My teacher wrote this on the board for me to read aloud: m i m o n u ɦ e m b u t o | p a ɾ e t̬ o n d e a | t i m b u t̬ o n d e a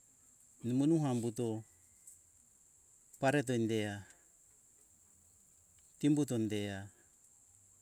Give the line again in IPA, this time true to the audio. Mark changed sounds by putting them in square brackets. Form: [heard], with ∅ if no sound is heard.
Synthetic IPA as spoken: [n] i m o n u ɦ [a] m b u t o | p a ɾ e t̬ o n d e a | t i m b u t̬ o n d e a